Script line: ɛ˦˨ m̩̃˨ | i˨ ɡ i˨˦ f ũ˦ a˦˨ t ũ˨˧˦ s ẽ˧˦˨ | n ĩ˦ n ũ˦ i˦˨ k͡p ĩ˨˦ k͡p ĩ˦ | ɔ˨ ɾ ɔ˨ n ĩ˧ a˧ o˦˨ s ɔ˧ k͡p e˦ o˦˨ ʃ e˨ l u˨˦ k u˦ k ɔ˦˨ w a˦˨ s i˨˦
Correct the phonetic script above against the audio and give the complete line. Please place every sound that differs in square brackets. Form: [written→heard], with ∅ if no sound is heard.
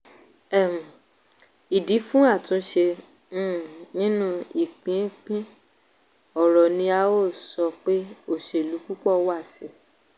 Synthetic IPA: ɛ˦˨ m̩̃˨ | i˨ [ɡ→d] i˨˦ f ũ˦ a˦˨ t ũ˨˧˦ [s→ʃ] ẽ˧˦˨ | n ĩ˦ n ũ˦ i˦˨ k͡p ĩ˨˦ k͡p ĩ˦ | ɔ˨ ɾ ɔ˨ n ĩ˧ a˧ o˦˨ s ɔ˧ k͡p e˦ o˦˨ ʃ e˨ l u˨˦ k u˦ [k→k͡p] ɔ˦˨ w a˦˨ s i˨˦